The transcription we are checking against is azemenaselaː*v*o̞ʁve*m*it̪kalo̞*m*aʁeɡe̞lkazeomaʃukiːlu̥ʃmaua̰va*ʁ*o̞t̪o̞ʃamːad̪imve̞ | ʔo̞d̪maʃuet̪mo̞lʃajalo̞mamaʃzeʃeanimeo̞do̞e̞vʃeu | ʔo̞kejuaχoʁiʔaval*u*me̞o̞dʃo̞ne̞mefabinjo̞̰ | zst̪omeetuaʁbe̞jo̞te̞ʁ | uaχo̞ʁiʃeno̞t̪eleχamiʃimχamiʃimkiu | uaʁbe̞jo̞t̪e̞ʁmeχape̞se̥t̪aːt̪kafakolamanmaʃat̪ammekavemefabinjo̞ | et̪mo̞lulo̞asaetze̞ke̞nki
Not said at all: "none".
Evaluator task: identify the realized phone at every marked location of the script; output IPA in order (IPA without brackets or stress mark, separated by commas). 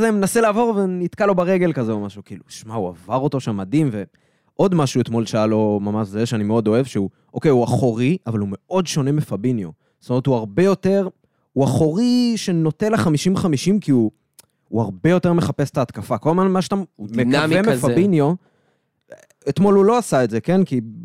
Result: v, n, b, ʁ, u